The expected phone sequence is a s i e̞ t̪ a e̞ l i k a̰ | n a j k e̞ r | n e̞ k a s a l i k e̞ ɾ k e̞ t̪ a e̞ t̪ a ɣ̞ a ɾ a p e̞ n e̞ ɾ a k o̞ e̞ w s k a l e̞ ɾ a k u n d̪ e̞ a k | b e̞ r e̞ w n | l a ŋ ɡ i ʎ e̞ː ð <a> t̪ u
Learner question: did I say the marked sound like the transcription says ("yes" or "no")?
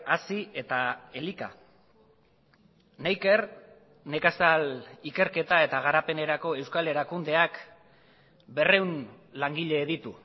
no